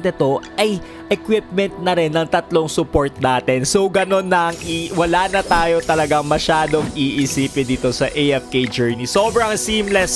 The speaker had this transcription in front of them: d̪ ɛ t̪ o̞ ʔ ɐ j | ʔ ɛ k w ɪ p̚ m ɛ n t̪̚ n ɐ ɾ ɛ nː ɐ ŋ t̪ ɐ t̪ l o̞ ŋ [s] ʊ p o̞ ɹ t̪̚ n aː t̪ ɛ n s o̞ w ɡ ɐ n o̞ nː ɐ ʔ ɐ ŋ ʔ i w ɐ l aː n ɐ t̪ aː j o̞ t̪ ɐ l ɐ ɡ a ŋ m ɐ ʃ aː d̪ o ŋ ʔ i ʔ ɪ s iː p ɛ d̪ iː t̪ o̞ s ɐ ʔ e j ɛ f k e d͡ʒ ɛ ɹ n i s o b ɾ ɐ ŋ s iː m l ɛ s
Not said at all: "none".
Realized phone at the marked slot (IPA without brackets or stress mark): s